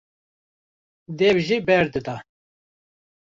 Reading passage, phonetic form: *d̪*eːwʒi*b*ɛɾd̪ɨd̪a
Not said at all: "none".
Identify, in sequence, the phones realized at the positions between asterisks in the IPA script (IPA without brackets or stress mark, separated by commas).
d̪, b